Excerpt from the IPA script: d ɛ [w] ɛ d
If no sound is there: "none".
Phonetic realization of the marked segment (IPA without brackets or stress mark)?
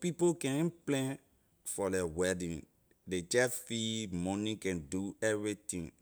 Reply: w